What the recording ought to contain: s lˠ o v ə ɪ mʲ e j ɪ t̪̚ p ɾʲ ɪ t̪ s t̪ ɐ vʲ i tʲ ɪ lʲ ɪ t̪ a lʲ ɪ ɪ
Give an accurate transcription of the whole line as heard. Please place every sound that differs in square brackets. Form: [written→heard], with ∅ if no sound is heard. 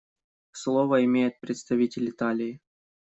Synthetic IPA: s lˠ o v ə ɪ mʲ e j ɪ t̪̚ p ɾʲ ɪ t̪ s t̪ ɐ vʲ i tʲ ɪ lʲ ɪ t̪ a lʲ ɪ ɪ